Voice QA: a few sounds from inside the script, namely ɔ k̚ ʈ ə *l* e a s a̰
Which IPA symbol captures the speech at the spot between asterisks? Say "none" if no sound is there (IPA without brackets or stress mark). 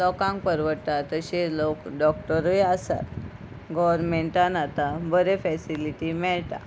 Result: ɾ